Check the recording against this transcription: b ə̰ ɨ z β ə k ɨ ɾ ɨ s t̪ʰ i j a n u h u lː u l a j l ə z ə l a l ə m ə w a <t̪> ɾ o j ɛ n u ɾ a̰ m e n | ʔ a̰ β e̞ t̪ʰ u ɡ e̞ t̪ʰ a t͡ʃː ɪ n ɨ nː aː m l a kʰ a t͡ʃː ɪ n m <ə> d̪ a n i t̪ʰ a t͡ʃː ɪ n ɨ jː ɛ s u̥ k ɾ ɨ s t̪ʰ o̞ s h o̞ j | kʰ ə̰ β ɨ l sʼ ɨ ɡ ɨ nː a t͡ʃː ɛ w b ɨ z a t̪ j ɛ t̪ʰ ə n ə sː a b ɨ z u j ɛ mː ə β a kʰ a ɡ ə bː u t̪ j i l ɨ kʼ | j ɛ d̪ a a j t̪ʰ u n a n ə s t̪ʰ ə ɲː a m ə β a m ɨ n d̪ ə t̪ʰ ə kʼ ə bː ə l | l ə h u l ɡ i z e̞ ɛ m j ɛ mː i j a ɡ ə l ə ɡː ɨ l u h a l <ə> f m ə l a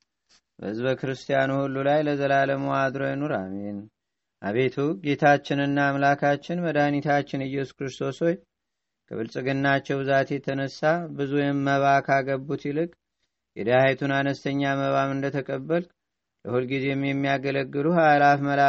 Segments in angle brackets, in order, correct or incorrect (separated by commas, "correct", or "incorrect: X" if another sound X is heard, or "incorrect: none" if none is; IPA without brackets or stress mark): incorrect: d̪, correct, incorrect: a